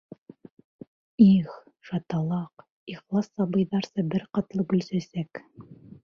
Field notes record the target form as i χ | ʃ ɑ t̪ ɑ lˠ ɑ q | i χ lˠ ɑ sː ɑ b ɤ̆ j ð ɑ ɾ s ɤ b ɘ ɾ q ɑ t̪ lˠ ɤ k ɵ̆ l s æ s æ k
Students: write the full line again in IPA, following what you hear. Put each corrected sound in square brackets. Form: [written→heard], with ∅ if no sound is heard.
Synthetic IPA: i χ | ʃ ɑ t̪ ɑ lˠ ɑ q | i χ lˠ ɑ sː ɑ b ɤ̆ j ð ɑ ɾ s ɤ b ɘ ɾ q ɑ t̪ lˠ ɤ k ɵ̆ l s æ s æ k